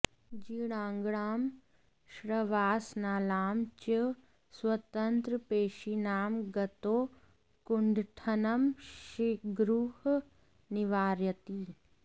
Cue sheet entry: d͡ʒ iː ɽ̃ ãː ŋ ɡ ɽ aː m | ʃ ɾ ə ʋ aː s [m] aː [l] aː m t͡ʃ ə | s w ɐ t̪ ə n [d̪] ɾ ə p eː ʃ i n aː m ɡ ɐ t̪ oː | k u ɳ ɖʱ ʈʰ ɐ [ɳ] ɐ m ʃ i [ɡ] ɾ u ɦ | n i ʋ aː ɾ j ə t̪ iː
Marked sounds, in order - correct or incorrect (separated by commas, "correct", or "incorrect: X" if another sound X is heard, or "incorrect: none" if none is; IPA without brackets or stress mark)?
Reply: incorrect: n, correct, incorrect: t̪, incorrect: n, correct